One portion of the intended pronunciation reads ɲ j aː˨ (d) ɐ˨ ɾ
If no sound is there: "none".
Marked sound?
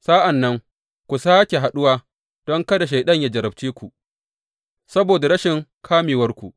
d͡ʒ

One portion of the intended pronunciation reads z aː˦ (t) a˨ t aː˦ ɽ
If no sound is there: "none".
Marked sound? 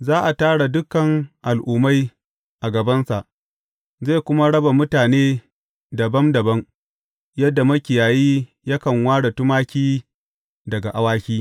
ʔ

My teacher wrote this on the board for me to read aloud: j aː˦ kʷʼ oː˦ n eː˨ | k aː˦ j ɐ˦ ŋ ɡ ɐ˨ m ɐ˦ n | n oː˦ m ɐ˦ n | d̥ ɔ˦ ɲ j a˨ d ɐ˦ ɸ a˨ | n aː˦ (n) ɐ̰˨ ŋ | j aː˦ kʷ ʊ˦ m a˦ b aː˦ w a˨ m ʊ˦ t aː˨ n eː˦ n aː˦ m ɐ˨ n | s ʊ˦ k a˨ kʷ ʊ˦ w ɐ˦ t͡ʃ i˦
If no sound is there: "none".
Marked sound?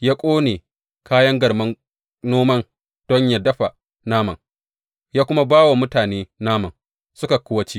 m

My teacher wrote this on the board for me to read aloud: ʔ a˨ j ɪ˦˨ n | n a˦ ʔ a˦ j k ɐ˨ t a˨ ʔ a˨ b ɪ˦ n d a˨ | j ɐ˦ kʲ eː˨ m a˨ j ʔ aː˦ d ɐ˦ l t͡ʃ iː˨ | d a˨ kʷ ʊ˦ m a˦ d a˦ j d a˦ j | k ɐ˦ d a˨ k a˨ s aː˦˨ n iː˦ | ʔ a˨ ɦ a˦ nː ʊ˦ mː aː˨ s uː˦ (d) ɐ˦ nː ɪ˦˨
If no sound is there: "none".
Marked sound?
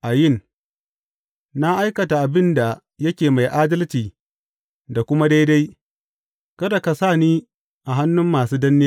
d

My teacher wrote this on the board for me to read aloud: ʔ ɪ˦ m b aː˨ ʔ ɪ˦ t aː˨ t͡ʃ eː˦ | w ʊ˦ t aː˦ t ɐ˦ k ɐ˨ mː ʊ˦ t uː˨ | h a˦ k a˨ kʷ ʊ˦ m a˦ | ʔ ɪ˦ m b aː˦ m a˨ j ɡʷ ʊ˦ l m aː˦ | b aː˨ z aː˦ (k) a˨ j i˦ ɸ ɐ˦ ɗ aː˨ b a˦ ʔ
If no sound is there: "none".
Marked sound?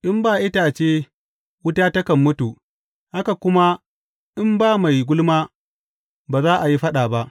ʔ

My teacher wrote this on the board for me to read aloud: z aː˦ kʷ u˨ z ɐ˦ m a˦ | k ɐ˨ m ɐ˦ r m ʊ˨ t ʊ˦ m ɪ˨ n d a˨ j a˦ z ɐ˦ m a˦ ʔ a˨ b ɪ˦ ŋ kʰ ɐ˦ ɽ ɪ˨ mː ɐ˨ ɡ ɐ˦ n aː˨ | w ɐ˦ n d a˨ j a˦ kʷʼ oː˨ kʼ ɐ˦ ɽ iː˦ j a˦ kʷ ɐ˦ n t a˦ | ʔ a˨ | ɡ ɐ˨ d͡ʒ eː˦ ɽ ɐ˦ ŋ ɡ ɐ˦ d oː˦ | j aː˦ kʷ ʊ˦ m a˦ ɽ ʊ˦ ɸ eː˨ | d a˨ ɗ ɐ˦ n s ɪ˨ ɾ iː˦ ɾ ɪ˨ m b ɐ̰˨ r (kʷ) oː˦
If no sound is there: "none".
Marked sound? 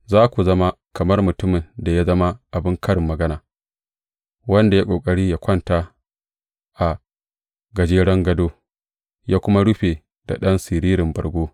ɡʷ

